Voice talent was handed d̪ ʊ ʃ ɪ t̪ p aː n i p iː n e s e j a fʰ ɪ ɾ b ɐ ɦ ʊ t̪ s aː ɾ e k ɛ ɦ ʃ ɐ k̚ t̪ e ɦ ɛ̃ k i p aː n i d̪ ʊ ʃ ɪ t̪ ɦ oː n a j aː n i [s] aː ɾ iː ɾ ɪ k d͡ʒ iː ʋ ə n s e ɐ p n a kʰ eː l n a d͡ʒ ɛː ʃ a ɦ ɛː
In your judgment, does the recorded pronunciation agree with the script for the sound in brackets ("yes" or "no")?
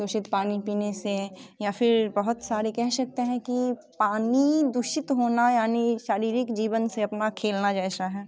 no